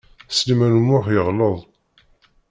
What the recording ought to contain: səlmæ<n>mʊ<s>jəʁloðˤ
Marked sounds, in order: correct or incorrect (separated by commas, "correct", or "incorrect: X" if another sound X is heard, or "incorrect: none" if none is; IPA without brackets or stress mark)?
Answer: correct, incorrect: ħ